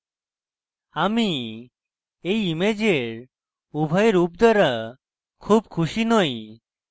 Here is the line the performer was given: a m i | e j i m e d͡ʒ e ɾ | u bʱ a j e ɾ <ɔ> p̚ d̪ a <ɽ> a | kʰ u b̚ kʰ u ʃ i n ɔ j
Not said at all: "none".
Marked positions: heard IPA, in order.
u, ɾ

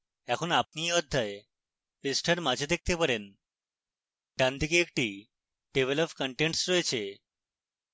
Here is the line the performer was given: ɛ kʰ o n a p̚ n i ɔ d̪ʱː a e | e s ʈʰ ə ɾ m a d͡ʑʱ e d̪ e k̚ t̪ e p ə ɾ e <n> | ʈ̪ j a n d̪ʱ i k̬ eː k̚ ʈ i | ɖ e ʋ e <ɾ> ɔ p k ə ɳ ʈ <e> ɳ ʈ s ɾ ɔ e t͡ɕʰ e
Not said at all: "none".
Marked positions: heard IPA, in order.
n, l, e

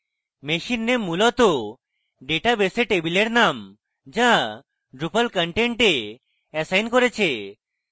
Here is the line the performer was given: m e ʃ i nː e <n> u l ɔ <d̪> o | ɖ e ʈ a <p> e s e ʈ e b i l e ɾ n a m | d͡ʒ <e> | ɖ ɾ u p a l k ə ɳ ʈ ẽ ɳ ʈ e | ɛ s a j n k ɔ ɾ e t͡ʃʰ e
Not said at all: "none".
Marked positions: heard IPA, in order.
m, t̪, b, a

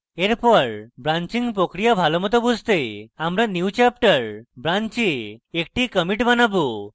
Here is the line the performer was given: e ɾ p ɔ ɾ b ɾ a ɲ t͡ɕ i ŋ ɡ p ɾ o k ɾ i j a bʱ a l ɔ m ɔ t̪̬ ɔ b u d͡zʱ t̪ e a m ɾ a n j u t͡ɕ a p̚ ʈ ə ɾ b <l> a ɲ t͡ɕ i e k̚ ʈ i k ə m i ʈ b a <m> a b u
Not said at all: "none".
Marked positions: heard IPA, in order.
ɾ, n

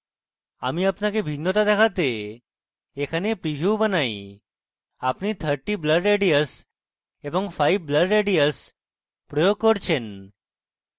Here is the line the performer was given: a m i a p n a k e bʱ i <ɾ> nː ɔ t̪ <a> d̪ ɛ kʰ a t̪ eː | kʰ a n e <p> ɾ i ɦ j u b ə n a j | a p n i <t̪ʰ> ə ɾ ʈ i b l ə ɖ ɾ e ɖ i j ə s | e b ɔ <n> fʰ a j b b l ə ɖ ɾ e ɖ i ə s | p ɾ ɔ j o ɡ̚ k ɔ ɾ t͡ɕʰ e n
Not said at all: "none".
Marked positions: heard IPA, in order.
none, a, p, t̪ʰ, ŋ

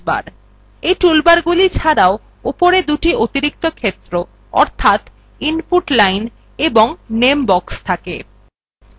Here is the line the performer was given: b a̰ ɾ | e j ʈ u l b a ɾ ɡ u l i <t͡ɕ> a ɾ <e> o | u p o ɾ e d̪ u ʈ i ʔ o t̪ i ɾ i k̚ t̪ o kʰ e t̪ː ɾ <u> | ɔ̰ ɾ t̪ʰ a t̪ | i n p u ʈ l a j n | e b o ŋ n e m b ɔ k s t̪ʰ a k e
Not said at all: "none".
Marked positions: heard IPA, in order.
t͡ɕʰ, a, o

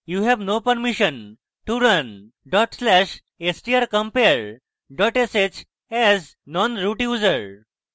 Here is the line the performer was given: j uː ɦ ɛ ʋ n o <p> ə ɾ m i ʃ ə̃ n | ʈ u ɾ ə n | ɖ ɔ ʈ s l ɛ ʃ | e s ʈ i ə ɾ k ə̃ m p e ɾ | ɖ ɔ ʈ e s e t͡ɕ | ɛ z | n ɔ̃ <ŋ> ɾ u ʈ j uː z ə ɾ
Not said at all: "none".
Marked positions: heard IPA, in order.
p, n

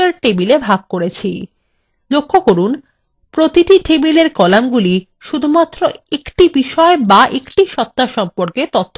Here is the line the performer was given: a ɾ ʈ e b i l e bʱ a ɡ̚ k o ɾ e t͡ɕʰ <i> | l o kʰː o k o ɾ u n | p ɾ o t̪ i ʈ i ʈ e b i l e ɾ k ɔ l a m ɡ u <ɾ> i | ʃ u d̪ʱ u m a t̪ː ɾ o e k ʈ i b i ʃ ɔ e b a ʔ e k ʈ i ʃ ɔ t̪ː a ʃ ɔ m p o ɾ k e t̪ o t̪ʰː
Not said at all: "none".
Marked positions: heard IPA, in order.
i, l

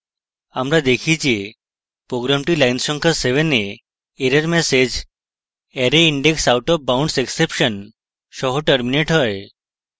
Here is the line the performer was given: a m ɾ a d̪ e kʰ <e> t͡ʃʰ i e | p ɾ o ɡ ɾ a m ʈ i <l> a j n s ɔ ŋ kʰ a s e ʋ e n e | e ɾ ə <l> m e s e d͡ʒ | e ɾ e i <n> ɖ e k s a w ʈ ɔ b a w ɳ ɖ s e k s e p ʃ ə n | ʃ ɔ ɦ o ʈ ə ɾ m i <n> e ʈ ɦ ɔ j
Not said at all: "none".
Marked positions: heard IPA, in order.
i, l, ɾ, ɳ, n

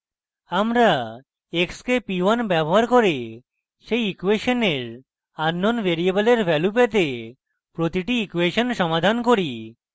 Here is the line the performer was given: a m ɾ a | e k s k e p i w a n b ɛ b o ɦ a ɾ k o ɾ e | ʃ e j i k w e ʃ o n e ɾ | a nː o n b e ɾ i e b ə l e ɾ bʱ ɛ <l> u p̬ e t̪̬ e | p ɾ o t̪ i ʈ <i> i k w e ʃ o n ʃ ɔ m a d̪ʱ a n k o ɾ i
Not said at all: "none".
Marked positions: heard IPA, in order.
l, i

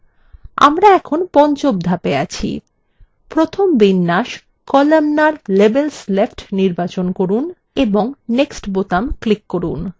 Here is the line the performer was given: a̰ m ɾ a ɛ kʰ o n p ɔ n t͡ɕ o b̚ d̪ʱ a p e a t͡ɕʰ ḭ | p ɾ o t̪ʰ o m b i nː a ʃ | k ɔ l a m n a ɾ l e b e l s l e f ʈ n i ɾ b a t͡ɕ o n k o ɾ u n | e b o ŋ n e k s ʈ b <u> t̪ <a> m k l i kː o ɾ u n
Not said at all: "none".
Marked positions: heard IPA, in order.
o, a

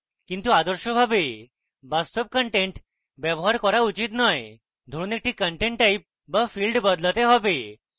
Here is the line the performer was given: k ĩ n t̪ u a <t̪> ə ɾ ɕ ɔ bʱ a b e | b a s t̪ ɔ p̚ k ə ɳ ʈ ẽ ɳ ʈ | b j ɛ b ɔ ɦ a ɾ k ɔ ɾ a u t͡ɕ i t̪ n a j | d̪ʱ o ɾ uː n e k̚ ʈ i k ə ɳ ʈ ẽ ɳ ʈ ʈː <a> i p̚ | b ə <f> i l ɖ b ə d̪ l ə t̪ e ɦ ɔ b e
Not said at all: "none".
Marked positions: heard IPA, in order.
d̪, a, f

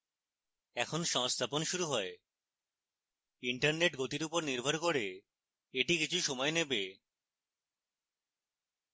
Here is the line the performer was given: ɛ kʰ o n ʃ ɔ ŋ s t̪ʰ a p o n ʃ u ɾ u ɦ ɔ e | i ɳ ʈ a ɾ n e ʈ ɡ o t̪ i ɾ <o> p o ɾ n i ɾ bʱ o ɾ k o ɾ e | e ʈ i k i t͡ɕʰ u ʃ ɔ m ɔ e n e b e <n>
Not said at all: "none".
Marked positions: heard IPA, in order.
u, none

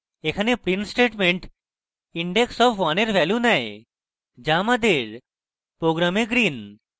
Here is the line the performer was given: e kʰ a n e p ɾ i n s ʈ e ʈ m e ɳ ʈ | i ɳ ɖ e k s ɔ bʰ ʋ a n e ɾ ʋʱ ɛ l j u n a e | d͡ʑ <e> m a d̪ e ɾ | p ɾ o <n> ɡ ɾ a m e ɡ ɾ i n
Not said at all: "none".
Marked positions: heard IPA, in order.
a, none

